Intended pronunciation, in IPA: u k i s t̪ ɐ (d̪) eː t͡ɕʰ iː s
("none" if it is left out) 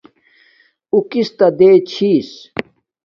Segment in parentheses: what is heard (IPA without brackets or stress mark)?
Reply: d̪